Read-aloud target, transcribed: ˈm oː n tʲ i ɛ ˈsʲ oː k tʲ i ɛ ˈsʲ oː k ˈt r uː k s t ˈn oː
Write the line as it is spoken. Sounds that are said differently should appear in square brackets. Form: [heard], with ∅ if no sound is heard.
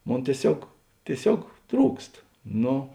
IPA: ˈm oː n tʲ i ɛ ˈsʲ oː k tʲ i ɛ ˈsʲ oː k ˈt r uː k s t ˈn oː